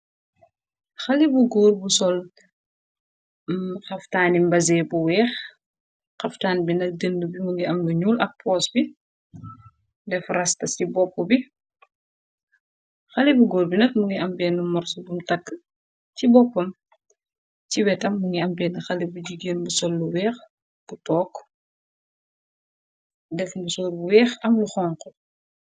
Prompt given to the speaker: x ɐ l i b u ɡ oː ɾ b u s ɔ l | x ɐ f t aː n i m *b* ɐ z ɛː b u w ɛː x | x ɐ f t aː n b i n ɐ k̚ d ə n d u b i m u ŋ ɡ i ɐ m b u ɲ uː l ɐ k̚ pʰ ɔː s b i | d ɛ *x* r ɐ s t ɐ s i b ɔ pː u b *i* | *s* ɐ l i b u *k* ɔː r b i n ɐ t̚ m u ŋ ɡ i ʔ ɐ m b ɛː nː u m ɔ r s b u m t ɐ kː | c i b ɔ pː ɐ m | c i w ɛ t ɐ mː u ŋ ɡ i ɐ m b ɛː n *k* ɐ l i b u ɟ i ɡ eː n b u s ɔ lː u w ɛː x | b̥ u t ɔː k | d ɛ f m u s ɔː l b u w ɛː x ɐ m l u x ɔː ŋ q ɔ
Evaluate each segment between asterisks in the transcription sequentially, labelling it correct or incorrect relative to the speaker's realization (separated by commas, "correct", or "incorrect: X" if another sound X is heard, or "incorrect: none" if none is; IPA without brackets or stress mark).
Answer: correct, incorrect: f, correct, incorrect: x, incorrect: ɡ, incorrect: x